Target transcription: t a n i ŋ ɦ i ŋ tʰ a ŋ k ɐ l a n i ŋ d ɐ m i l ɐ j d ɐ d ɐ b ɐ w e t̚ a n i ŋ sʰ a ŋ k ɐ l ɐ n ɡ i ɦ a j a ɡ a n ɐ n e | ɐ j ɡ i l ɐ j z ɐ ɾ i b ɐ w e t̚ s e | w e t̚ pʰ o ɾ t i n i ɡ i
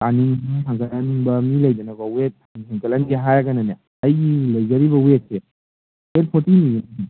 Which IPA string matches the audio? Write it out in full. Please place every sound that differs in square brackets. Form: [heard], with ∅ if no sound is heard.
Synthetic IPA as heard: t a n i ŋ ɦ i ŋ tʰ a ŋ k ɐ l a n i ŋ [b] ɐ m i l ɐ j d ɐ [n] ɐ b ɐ w e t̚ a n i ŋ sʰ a ŋ k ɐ l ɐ n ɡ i ɦ a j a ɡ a n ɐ n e | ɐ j ɡ i l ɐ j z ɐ ɾ i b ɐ w e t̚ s e | w e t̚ pʰ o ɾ t i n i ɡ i